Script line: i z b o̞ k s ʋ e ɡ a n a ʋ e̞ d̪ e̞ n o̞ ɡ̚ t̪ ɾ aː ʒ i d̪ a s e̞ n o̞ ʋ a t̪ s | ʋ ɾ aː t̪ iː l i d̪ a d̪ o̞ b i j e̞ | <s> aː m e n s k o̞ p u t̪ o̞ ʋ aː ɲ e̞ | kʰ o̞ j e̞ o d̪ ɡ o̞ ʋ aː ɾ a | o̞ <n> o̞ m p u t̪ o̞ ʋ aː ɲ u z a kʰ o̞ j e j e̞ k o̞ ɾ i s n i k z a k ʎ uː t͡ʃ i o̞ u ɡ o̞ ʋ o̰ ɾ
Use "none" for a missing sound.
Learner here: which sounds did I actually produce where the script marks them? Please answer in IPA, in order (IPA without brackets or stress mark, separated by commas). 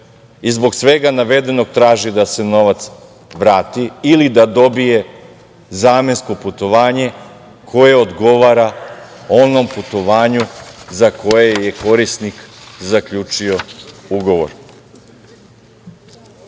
z, n